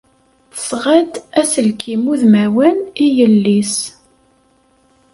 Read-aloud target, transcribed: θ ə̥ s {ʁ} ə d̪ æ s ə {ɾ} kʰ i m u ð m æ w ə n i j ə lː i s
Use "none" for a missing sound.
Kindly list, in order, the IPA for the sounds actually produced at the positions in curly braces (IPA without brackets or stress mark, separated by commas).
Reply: ʁ, l